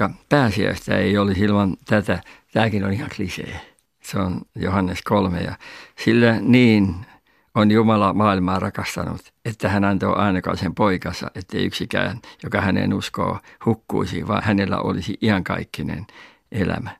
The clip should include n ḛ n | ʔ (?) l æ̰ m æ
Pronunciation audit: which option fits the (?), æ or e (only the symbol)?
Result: e